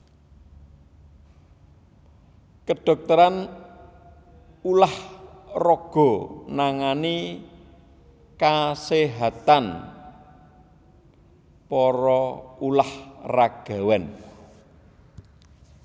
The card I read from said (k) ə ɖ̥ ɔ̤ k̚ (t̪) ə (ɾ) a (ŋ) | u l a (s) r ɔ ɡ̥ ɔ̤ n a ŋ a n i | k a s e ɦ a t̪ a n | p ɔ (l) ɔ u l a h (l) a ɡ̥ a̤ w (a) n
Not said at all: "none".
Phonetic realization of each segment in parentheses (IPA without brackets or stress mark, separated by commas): k, t̪, ɾ, n, h, ɾ, r, ɛ